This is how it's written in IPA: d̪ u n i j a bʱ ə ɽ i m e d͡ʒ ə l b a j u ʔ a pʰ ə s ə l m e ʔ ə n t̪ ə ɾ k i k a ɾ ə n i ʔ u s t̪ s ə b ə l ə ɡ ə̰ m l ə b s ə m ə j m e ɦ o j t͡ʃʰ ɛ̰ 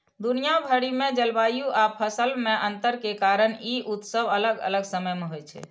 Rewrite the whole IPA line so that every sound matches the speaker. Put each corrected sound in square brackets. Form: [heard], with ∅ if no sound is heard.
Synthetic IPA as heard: d̪ u n i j a bʱ ə ɽ i m e d͡ʒ ə l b a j u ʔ a pʰ ə s ə l m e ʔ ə n t̪ ə ɾ k [e] k a ɾ ə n i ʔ u [∅] t̪ s ə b ə l ə ɡ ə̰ [∅] l ə [ɡ] s ə m ə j m e ɦ o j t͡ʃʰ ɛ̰